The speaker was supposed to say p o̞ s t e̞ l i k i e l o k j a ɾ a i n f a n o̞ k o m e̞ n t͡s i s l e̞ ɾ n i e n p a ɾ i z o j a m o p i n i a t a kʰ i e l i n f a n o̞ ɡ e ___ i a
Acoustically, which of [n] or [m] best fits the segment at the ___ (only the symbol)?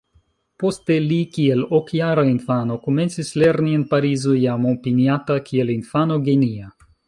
n